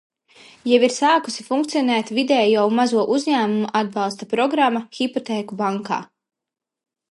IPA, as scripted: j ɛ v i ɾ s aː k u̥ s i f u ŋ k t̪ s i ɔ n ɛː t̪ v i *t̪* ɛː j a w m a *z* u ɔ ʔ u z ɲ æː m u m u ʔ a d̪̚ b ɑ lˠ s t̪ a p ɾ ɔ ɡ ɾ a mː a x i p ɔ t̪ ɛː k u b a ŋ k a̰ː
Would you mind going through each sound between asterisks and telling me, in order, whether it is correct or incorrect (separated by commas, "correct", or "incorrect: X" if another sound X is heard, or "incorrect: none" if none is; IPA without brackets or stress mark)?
incorrect: d̪, correct